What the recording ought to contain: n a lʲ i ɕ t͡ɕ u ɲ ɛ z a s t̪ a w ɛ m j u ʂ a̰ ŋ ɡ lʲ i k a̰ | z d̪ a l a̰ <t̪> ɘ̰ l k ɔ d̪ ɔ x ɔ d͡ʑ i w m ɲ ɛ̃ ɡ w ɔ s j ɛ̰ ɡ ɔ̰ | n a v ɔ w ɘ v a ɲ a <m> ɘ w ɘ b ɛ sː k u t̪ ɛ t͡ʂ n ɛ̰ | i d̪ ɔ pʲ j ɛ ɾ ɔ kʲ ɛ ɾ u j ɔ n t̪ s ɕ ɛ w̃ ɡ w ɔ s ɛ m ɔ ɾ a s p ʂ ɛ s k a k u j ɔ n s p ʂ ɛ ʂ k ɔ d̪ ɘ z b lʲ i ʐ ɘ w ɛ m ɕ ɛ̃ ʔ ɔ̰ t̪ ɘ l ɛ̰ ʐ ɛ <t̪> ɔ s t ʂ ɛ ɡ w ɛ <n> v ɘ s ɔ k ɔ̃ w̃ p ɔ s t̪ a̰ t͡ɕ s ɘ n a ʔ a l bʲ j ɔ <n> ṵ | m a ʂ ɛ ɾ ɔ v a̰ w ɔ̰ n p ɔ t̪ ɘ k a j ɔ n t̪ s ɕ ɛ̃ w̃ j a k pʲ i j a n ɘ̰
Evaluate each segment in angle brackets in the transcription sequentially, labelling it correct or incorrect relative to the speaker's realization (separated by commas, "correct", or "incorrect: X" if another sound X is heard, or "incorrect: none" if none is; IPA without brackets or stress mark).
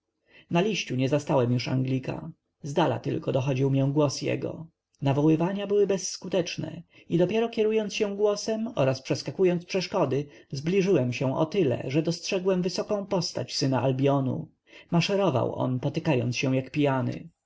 correct, incorrect: b, incorrect: d̪, incorrect: m, correct